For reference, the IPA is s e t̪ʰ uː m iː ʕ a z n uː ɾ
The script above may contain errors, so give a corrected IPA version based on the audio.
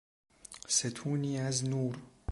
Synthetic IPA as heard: s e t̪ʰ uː n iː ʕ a z n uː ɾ

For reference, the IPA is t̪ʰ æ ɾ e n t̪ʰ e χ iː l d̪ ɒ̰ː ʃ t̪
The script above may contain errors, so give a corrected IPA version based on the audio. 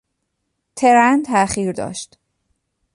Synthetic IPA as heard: t̪ʰ e ɾ æ n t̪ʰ æ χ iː ɾ d̪ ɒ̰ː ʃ t̪

